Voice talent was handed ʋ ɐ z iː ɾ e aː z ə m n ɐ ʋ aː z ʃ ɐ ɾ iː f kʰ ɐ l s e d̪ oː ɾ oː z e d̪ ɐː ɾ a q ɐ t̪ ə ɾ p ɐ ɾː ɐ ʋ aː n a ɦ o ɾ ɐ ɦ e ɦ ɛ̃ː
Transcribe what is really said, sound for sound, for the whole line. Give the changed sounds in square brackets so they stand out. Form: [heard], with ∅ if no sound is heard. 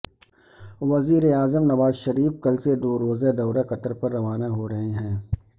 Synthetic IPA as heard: ʋ ɐ z iː ɾ e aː z ə m n ɐ ʋ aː z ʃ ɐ ɾ iː f [k] ɐ l s e d̪ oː ɾ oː z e d̪ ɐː ɾ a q ɐ t̪ ə ɾ p ɐ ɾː ɐ ʋ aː n a ɦ o ɾ ɐ ɦ e ɦ ɛ̃ː

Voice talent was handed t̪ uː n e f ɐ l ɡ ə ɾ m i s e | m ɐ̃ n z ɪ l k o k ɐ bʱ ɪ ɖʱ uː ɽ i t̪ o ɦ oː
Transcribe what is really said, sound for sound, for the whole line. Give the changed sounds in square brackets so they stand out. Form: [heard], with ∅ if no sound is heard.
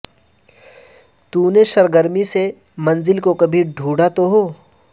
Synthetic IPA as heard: t̪ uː n e [ʃ] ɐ [ɾ] ɡ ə ɾ m i s e | m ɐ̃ n z ɪ l k o k ɐ bʱ [i] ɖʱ uː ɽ [a] t̪ o ɦ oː

